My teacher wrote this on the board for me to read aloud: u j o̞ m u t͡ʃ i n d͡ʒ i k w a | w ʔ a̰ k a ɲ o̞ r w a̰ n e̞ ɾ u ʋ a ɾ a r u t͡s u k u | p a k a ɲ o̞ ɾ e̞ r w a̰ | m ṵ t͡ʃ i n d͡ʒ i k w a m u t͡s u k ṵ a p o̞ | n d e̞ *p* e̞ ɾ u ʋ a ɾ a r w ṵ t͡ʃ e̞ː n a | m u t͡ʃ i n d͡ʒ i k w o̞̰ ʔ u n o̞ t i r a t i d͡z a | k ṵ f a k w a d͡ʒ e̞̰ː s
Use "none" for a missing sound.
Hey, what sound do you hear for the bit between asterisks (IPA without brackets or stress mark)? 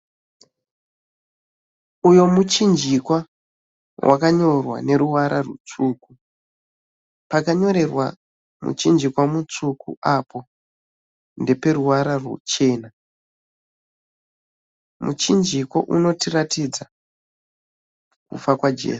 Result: p